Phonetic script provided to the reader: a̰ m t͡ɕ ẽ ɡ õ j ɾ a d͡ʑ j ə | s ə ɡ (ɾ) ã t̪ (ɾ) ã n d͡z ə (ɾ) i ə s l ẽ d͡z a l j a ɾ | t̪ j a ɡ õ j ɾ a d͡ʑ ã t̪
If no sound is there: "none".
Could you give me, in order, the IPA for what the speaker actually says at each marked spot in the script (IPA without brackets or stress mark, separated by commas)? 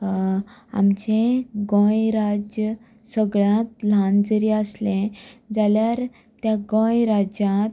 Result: ɭ, l, ɾ